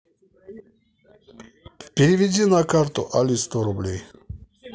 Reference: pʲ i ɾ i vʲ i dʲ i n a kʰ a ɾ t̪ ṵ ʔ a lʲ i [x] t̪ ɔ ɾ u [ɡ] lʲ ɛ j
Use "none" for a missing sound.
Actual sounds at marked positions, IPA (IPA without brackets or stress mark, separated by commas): s, b